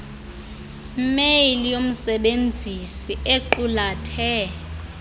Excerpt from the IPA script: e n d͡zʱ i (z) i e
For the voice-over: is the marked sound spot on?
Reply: no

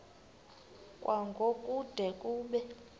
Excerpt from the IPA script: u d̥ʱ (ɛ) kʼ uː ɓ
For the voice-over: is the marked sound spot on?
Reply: yes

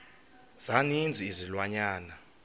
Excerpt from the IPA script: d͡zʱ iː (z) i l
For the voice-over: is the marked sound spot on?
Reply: yes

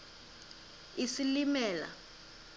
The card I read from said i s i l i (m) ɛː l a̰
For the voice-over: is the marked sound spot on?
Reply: yes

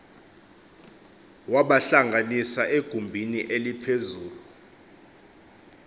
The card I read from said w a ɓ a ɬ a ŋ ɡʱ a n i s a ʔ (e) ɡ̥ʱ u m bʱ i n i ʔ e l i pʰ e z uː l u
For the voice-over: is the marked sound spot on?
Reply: yes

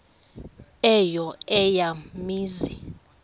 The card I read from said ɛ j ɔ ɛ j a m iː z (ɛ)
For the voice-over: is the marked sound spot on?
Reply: no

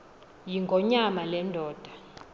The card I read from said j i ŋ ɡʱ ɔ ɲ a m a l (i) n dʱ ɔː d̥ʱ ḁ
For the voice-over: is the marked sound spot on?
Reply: no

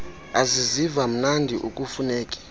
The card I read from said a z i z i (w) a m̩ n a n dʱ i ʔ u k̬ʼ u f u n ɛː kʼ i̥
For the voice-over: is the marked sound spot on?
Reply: no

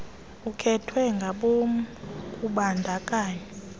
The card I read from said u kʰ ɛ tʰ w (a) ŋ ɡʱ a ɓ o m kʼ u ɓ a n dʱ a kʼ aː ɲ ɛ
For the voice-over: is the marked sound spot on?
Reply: no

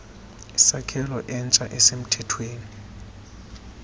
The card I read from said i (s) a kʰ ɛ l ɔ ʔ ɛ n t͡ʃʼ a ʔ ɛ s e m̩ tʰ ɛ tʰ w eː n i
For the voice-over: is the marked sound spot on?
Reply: yes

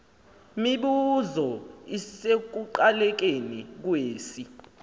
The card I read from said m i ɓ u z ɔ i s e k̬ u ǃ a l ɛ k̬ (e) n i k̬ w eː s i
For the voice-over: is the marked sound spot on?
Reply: yes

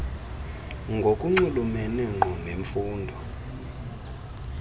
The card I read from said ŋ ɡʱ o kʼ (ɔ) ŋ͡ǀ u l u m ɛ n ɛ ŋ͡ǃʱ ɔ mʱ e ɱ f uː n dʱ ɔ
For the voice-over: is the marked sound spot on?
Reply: no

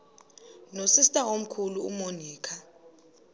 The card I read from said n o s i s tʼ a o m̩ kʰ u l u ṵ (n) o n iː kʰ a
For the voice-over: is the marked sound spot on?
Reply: no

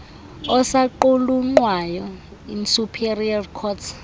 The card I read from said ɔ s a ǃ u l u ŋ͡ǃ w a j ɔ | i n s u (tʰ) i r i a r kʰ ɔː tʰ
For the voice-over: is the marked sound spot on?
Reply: no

